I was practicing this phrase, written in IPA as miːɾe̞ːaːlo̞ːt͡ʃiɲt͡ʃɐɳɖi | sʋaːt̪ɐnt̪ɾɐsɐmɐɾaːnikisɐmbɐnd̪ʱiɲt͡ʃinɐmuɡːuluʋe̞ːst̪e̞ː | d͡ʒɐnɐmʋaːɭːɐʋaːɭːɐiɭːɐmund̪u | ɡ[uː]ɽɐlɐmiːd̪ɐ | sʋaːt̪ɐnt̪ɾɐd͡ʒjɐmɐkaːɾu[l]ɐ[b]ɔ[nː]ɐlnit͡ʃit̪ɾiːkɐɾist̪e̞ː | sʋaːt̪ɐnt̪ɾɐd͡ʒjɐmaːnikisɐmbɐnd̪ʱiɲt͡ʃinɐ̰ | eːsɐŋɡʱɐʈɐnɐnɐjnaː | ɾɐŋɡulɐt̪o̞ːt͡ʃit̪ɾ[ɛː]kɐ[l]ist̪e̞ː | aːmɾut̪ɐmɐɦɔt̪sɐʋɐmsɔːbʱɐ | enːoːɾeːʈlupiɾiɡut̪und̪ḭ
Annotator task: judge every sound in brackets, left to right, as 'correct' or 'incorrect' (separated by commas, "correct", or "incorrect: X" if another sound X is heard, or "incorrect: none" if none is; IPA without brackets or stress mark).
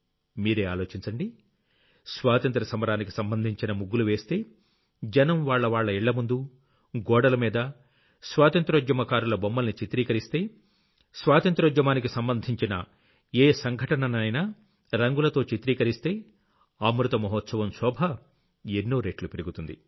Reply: incorrect: ɔː, correct, correct, incorrect: mː, incorrect: iː, incorrect: ɾ